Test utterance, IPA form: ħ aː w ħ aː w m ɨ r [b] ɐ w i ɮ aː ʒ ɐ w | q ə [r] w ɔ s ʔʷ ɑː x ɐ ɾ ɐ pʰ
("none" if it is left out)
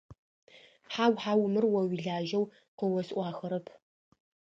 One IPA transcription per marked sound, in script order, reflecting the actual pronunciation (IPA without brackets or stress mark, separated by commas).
w, none